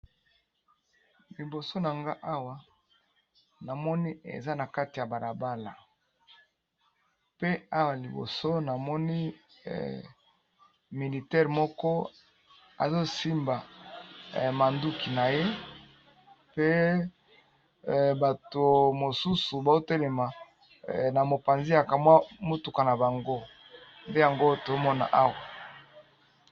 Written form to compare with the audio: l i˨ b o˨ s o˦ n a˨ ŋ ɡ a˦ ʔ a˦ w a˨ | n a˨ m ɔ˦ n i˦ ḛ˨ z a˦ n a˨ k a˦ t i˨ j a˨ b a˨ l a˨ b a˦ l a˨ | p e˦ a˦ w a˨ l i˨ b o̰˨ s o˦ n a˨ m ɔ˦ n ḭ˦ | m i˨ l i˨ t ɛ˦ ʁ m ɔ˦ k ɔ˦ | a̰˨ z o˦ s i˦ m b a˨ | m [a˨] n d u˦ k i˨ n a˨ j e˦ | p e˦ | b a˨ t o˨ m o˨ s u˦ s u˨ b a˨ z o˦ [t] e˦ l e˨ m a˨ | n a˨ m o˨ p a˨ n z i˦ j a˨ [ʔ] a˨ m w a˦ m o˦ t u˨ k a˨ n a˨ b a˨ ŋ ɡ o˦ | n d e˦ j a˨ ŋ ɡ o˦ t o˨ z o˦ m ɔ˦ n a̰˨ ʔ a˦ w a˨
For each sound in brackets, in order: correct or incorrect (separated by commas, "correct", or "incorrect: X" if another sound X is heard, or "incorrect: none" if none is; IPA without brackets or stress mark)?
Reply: correct, correct, incorrect: k